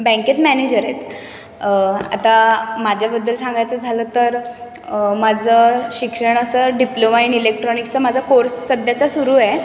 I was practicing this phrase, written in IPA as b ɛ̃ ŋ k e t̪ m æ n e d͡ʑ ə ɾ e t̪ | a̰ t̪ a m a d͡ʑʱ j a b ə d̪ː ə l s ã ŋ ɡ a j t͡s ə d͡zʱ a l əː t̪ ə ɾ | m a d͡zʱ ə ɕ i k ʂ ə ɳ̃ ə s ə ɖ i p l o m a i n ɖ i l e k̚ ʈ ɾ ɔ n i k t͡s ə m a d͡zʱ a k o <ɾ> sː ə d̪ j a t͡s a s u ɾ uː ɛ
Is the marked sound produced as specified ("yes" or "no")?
yes